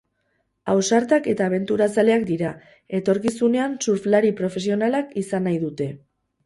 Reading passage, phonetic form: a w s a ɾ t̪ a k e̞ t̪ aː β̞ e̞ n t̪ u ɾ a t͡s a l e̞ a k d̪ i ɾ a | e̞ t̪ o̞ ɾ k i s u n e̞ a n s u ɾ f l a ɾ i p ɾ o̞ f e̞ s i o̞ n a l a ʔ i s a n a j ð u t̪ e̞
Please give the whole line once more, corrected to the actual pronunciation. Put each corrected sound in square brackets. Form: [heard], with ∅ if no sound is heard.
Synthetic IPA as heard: a w s a ɾ t̪ a k e̞ t̪ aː β̞ e̞ n t̪ u ɾ a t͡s a l e̞ a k d̪ i ɾ a | e̞ t̪ o̞ ɾ k i s u n e̞ a n s u ɾ f l a ɾ i p ɾ o̞ f e̞ s i o̞ n a l a [k] i s a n a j ð u t̪ e̞